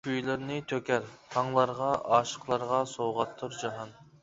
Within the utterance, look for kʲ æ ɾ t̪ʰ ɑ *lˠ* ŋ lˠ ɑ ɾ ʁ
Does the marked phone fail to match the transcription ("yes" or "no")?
yes